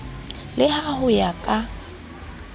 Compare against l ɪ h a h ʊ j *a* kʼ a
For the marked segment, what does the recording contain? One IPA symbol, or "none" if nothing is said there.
a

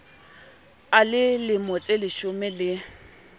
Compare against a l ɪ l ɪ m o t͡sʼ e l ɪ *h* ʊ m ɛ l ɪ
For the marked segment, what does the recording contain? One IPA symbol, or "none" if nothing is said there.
ʃ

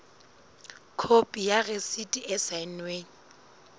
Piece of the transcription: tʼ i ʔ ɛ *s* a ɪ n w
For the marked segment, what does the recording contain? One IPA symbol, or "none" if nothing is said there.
s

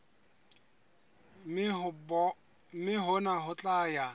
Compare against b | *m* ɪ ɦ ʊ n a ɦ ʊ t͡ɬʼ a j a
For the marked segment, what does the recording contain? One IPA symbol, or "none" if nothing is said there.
m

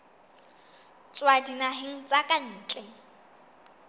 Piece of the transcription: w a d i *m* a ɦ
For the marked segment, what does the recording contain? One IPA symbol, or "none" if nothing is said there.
n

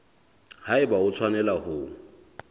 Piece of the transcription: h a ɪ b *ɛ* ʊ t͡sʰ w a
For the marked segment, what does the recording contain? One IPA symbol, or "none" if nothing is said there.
a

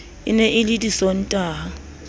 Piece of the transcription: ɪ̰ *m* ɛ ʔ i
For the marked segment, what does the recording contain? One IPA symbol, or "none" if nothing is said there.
n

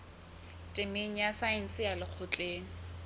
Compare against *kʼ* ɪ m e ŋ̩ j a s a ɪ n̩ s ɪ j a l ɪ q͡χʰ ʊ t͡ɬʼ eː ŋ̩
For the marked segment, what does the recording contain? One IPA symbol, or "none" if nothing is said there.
tʼ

